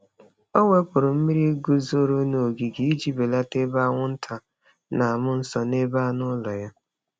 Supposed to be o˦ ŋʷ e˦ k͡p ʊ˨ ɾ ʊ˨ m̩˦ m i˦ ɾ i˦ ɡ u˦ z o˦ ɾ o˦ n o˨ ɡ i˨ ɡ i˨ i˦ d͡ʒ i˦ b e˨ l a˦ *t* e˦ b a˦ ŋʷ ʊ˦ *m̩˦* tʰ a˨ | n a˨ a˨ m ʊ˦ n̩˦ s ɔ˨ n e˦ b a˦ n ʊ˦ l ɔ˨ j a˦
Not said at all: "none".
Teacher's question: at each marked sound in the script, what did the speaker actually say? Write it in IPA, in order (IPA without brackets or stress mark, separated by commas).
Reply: t, n̩˦